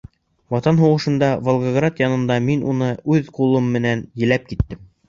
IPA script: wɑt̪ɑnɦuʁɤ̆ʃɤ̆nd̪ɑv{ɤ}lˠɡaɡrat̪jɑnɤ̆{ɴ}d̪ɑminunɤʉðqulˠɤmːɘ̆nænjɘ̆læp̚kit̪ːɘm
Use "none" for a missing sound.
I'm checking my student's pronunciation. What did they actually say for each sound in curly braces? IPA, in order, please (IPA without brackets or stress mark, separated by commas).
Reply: o, n